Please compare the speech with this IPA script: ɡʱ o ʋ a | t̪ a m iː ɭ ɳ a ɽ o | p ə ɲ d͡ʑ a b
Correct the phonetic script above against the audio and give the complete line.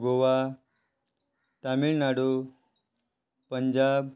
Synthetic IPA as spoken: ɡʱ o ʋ a | t̪ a m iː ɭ n a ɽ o | p ə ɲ d͡ʑ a b